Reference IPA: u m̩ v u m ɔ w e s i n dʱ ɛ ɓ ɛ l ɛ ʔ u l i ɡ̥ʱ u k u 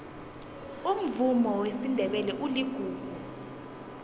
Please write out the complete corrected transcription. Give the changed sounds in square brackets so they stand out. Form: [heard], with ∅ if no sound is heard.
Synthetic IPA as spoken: u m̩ v u m ɔ w e s i n dʱ ɛ ɓ ɛ l ɛ ʔ u l i ɡ̥ʱ [uː] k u